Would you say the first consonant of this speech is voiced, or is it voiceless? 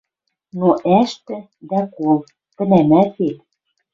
voiced